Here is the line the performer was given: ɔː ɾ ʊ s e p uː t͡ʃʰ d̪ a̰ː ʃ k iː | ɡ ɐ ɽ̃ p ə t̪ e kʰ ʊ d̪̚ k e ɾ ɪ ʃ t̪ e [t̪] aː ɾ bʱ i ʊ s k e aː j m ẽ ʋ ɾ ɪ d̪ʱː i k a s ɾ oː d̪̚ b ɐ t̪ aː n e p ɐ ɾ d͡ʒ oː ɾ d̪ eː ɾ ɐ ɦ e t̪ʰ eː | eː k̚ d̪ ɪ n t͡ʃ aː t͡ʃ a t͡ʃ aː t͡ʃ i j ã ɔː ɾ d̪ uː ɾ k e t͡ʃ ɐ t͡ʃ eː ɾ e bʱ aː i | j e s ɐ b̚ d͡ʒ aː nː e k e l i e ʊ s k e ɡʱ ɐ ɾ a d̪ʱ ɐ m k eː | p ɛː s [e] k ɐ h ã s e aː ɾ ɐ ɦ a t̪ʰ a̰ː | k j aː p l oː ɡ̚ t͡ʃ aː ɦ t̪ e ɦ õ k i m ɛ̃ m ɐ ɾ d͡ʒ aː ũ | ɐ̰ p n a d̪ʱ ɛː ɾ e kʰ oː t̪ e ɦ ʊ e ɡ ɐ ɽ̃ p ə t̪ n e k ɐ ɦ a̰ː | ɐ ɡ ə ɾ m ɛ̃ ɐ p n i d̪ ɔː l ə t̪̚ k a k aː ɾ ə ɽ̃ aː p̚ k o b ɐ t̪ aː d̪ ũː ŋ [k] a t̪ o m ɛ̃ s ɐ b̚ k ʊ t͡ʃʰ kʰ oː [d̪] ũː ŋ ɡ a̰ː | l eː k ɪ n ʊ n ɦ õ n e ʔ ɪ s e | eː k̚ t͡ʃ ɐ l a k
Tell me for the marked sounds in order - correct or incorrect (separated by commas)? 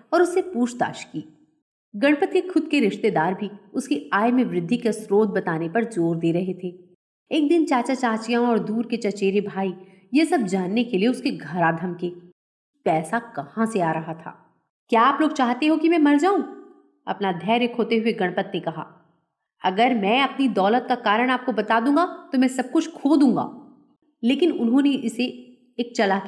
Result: incorrect, incorrect, incorrect, correct